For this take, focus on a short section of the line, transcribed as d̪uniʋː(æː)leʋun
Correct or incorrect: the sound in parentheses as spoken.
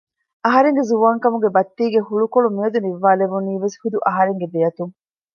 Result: incorrect: aː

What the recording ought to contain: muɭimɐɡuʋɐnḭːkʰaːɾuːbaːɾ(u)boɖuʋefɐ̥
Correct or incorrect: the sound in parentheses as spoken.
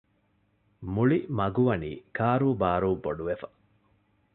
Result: incorrect: uː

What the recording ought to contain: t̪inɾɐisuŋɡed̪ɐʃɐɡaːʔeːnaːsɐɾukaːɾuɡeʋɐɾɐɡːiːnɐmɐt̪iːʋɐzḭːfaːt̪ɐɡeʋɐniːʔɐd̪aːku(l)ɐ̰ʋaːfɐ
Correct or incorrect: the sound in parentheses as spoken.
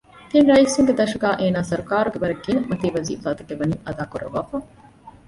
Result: incorrect: ɾ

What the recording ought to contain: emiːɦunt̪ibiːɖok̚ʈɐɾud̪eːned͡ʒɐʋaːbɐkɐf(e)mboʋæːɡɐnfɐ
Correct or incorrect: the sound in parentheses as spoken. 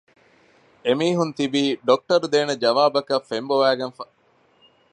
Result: correct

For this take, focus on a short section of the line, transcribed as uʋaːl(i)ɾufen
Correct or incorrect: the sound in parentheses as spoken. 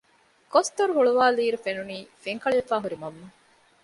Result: incorrect: iː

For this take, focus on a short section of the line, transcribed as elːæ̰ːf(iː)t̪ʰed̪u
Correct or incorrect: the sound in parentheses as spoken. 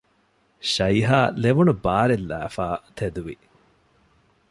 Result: incorrect: aː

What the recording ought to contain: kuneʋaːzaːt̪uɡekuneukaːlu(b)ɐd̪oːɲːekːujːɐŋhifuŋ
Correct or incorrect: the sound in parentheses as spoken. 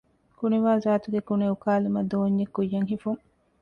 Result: incorrect: m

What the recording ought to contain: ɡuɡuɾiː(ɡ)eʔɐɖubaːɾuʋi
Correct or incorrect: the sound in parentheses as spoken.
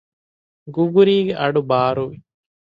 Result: correct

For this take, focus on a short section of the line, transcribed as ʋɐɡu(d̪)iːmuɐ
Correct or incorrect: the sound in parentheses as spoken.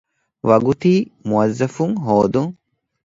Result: incorrect: t̪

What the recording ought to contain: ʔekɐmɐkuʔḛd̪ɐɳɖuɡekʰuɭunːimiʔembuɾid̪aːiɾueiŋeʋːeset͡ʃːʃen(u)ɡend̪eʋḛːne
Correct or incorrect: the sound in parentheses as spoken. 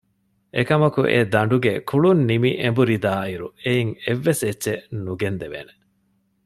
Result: correct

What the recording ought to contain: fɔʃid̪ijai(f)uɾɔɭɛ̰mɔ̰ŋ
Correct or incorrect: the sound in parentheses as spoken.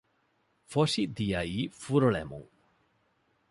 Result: correct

